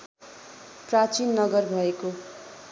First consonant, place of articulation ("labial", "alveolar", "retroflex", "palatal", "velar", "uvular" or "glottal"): labial